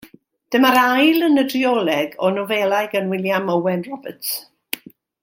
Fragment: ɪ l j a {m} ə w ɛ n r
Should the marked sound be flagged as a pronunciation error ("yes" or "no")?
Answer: no